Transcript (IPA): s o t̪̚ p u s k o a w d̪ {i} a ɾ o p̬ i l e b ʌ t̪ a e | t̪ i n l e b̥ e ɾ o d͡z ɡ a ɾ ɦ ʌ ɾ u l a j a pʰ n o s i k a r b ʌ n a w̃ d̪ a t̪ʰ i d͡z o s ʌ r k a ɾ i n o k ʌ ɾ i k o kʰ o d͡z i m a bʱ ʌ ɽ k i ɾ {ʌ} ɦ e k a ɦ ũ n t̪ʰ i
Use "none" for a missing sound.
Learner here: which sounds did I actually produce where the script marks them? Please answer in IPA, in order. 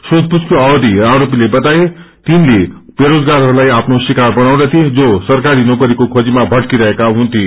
i, ʌ

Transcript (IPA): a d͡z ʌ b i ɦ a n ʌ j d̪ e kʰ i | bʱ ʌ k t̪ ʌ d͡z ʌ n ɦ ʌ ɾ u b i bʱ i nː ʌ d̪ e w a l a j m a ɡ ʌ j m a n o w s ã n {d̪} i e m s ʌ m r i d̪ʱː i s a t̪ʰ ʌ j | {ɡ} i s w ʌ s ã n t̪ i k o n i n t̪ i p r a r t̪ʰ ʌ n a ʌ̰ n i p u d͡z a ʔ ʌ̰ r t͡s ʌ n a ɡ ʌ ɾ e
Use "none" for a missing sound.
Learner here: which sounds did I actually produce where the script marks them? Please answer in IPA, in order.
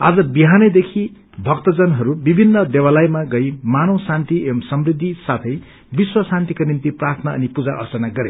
t̪, b

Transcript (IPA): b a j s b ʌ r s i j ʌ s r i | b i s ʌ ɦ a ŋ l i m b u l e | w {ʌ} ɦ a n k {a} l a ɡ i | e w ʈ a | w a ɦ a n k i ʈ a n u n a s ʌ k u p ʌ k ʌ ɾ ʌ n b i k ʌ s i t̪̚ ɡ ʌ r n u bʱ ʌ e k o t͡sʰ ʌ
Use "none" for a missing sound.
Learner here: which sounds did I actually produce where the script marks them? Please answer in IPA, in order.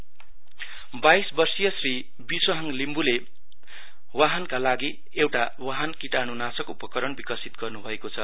a, a

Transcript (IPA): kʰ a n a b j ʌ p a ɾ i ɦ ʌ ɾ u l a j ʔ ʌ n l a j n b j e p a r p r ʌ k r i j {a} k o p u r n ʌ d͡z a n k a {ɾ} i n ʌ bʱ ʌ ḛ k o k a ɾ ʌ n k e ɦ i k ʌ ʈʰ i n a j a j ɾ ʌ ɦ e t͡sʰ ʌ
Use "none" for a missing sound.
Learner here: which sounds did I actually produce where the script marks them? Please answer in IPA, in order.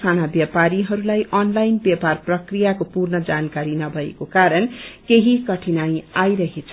a, ɾ

